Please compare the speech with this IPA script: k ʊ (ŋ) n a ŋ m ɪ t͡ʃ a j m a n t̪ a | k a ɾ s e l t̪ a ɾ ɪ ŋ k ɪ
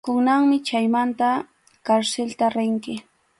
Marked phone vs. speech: correct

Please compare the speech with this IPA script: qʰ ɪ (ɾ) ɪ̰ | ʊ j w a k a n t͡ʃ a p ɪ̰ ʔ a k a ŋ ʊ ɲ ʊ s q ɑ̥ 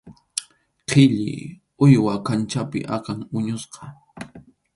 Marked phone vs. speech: incorrect: ʎ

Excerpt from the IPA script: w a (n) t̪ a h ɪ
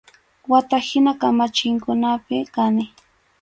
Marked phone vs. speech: incorrect: none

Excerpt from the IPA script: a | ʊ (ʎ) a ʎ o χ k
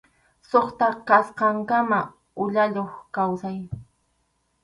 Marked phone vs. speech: correct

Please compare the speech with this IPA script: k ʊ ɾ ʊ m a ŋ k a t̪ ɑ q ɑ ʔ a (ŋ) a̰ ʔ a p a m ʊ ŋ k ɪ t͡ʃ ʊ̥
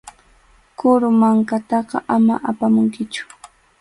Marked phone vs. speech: incorrect: m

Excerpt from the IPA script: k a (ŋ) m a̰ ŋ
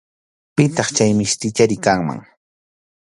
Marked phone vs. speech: correct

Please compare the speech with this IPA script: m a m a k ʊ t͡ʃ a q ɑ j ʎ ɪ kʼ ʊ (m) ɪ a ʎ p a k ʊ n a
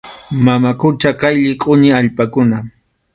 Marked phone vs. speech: incorrect: ɲ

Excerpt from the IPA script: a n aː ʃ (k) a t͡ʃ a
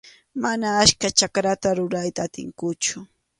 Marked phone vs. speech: correct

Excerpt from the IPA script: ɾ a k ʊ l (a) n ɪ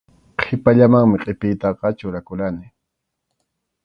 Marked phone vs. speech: correct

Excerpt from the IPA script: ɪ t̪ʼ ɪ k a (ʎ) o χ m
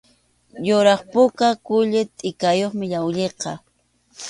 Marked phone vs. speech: incorrect: j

